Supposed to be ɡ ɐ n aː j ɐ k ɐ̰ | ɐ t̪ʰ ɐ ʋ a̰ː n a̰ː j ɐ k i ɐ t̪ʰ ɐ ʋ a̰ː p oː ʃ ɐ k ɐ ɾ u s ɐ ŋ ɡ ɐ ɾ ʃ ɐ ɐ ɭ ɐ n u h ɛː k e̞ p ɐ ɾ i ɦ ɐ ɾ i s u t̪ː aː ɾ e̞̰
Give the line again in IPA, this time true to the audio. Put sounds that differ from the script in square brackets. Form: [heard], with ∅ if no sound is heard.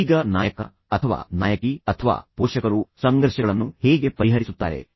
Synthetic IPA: ɡ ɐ n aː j ɐ k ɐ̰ | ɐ t̪ʰ ɐ ʋ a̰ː n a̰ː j ɐ k i ɐ t̪ʰ ɐ ʋ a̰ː p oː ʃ ɐ k ɐ ɾ u s ɐ ŋ ɡ ɐ ɾ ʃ ɐ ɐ ɭ ɐ [nː] u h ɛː [ɡ] e̞ p ɐ ɾ i ɦ ɐ ɾ i s u t̪ː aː ɾ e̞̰

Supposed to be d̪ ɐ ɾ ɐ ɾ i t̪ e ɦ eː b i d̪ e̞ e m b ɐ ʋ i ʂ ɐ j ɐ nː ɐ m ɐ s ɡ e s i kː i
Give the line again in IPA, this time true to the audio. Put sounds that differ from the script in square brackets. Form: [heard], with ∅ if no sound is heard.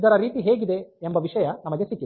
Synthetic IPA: d̪ ɐ ɾ ɐ ɾ [iː] t̪ [i] ɦ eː [ɡ] i d̪ e̞ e m b ɐ ʋ i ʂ ɐ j ɐ [n] ɐ m ɐ [∅] ɡ e s i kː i

